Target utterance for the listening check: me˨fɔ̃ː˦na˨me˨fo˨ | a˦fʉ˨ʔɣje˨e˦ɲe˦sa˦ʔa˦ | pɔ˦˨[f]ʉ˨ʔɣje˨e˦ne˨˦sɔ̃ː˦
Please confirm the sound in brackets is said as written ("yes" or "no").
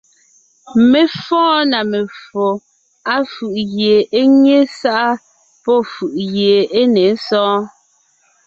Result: yes